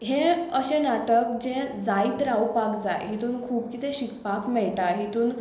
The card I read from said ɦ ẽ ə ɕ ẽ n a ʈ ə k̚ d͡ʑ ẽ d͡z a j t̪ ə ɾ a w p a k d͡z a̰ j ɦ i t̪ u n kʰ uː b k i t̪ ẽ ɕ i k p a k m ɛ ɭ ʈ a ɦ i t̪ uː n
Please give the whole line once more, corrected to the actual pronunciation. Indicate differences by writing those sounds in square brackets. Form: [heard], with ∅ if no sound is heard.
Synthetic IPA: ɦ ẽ ə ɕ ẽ n a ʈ ə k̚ d͡ʑ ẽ d͡z a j t̪ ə ɾ a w p a k d͡z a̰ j ɦ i t̪ [uː] n kʰ uː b k i t̪ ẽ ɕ i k p a k m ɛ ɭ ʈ a ɦ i t̪ uː n